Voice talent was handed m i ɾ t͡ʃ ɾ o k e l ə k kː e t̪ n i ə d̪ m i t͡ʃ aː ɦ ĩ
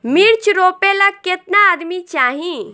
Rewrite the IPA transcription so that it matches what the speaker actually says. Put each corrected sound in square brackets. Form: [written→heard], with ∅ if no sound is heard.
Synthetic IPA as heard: m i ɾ t͡ʃ ɾ o [k→p] e l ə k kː e t̪ n [i→a] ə d̪ m i t͡ʃ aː ɦ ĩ